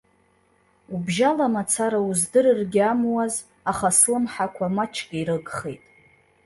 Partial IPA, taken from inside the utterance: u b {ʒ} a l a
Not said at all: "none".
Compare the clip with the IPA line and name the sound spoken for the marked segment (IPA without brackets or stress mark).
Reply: ʒ